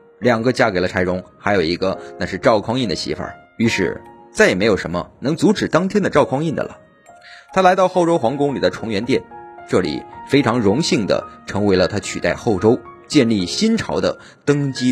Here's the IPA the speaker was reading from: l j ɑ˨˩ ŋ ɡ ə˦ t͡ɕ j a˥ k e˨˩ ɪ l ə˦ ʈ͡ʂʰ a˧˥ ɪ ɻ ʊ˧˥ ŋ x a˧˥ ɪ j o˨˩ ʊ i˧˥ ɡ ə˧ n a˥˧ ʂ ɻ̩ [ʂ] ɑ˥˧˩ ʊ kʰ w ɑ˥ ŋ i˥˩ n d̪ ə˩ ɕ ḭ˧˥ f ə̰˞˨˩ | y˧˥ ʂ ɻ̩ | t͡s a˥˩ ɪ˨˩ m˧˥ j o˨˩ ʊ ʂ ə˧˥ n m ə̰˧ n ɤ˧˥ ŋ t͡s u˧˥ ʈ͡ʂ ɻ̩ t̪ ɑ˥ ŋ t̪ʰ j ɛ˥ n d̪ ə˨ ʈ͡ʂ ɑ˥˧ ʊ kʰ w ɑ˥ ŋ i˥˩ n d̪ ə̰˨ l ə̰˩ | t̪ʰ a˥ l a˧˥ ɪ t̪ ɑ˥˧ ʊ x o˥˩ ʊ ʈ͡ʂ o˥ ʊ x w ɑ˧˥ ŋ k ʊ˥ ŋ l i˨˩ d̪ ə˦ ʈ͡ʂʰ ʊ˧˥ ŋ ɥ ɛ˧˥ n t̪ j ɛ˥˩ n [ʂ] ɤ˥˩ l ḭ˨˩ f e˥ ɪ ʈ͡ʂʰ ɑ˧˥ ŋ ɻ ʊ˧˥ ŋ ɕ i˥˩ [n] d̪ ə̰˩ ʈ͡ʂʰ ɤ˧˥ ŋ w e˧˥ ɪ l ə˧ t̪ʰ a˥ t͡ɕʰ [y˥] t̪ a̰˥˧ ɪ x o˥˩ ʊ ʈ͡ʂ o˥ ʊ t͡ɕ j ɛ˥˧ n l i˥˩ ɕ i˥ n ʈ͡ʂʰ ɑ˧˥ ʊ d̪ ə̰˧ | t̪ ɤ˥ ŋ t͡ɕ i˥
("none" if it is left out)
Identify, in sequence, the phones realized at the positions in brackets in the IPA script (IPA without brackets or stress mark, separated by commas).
ʈ͡ʂ, ʈ͡ʂ, ŋ, y˨˩